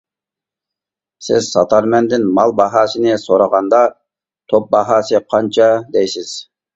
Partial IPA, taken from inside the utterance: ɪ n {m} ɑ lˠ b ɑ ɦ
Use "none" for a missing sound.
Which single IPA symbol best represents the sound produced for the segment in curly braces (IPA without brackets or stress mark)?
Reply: m